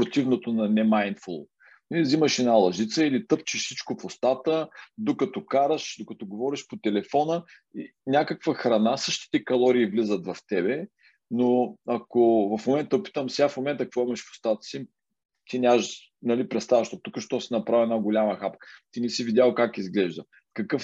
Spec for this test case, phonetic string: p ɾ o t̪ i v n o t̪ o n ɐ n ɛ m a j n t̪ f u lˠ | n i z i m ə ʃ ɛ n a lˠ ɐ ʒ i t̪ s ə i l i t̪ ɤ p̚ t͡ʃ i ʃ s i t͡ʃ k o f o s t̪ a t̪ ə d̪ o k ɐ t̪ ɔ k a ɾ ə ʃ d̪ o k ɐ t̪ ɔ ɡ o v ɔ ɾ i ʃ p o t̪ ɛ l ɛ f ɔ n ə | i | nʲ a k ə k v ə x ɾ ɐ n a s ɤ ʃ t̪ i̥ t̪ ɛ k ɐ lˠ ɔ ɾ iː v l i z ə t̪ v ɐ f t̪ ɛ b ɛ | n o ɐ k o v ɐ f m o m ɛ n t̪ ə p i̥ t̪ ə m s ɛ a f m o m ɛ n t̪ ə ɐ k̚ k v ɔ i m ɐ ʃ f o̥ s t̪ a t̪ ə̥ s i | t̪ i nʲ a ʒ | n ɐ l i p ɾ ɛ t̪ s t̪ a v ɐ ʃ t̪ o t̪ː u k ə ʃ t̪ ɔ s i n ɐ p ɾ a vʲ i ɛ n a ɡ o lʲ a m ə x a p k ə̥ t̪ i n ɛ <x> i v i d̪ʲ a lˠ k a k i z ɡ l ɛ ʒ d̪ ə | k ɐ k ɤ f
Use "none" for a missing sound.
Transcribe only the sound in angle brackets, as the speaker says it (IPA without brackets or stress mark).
s